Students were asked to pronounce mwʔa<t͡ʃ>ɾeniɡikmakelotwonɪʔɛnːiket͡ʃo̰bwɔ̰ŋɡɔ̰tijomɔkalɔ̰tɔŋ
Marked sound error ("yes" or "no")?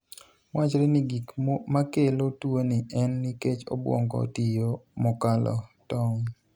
no